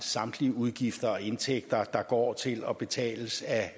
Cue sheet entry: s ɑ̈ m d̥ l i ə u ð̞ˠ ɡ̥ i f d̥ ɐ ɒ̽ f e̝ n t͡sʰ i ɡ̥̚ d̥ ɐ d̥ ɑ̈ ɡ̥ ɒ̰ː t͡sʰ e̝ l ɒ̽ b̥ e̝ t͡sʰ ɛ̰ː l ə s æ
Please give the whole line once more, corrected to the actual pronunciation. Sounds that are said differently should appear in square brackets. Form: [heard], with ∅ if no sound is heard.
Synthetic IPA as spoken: s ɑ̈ m d̥ l i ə u ð̞ˠ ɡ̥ i f d̥ ɐ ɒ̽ [∅] e̝ n t͡sʰ [e] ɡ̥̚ d̥ ɐ d̥ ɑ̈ ɡ̥ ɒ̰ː t͡sʰ e̝ l ɒ̽ b̥ e̝ t͡sʰ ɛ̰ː l ə s æ